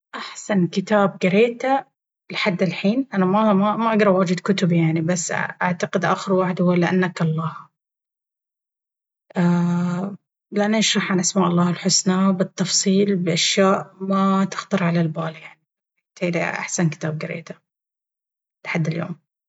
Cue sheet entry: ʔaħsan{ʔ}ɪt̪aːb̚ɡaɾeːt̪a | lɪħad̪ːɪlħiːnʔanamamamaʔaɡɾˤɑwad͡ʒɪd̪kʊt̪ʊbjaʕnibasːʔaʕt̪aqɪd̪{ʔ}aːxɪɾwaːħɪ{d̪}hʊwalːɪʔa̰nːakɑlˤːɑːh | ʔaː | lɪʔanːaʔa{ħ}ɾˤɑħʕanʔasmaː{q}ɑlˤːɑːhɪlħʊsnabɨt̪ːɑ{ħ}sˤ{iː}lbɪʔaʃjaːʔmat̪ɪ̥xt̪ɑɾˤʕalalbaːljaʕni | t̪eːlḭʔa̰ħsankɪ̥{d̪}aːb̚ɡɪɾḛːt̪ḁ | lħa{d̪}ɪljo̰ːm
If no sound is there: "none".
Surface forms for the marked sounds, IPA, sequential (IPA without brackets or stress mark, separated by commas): k, ʔ, d̪, ʃ, ʔ, f, iː, t̪, d̪ː